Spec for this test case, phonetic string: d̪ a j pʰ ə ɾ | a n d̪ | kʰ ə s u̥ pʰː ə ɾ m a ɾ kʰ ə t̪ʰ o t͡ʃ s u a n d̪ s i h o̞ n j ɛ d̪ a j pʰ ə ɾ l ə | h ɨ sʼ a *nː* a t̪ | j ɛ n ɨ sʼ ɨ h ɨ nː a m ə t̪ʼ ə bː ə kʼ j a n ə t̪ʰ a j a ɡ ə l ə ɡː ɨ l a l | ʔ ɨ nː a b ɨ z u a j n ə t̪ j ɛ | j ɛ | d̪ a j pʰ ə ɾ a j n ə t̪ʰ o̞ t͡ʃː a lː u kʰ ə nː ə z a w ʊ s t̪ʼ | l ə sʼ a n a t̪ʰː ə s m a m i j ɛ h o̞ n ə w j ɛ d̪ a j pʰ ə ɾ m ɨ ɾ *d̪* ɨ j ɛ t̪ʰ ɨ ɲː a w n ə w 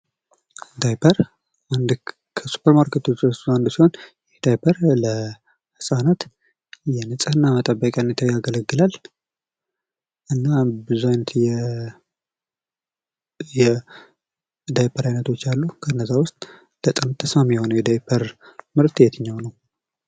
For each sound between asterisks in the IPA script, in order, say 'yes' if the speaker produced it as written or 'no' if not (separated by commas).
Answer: no, no